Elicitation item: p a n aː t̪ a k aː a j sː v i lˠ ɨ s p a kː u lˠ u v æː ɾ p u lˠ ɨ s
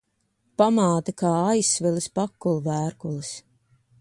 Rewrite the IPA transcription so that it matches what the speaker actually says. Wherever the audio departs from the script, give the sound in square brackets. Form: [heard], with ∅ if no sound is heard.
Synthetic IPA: p a [m] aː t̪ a k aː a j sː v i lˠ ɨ s p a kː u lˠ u v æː ɾ [k] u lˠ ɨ s